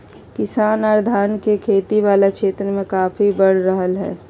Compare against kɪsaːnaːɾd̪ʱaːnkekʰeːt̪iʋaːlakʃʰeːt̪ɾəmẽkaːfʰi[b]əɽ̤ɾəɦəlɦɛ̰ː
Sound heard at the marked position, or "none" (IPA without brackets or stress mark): b